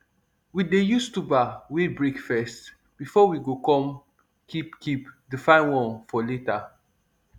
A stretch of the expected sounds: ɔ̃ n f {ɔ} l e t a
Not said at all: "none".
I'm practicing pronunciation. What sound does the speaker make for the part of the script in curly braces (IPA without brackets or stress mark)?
ɔ